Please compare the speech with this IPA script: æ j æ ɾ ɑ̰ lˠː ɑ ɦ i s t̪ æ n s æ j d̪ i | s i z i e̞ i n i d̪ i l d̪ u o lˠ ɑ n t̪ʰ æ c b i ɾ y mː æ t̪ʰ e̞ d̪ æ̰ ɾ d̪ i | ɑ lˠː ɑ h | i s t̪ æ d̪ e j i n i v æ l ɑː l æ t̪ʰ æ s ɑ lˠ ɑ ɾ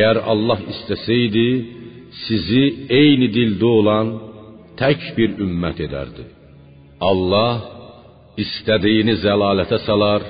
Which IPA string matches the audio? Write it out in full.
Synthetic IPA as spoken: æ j æ ɾ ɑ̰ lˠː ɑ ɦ i s t̪ æ s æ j d̪ i | s i z i e̞ j n i d̪ i l d̪ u o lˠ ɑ n t̪ʰ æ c b i ɾ y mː æ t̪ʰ e̞ d̪ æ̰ ɾ d̪ i | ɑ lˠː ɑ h | i s t̪ æ d̪ i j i n i z æ l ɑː l æ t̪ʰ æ s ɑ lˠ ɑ ɾ